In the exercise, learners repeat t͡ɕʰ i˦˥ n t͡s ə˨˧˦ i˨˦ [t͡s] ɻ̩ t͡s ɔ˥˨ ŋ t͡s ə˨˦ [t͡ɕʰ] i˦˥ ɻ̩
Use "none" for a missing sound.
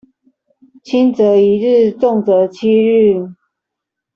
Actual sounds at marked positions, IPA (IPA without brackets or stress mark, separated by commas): none, t͡ɕʰ